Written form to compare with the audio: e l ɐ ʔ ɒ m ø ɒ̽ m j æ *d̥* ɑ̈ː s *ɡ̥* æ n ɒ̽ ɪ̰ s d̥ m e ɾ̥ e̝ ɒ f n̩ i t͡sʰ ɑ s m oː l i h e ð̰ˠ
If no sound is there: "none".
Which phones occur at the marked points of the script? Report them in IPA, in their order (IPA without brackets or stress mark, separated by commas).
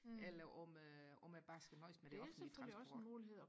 b̥, ɡ̥